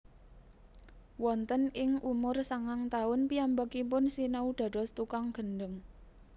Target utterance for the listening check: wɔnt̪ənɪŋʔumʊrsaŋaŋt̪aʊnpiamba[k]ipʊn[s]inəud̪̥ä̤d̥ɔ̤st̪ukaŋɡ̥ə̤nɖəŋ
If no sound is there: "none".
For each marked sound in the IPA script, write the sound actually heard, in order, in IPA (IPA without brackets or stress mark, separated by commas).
k, s